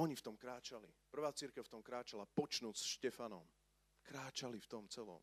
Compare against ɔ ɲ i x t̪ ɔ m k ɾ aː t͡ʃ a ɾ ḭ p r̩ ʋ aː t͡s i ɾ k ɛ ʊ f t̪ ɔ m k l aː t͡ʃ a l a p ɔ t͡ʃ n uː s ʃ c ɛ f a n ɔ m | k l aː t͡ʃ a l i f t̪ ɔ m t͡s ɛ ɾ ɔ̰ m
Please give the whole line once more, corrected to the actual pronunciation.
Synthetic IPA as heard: ɔ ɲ i f t̪ ɔ m k ɾ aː t͡ʃ a l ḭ p r̩ ʋ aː t͡s i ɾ k ɛ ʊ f t̪ ɔ m k ɾ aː t͡ʃ a l a p ɔ t͡ʃ n uː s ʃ c ɛ f a n ɔ m | k ɾ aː t͡ʃ a l i f t̪ ɔ m t͡s ɛ l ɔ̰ m